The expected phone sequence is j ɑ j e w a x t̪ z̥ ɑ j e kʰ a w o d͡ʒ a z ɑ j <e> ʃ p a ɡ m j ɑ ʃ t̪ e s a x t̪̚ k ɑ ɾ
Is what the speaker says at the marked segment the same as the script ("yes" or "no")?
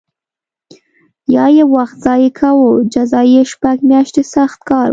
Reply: yes